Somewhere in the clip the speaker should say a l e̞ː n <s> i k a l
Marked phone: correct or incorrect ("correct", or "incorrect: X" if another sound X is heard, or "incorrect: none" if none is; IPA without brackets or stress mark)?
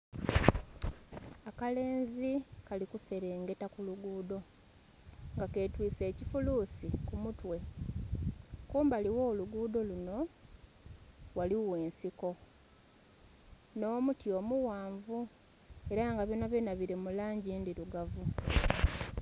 incorrect: z